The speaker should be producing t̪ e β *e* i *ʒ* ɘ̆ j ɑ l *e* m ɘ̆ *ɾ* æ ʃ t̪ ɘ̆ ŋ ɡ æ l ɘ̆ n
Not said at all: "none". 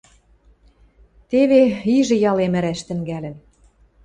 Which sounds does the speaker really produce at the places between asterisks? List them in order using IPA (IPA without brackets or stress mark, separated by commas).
e, ʒ, e, ɾ